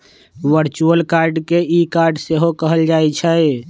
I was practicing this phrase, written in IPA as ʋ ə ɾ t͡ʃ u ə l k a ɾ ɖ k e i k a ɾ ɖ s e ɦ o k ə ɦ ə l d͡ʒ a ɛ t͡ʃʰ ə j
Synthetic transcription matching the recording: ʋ ə ɾ t͡ʃ u ə l k a ɾ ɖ k e i k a ɾ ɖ s e ɦ o k ə ɦ ə l d͡ʒ a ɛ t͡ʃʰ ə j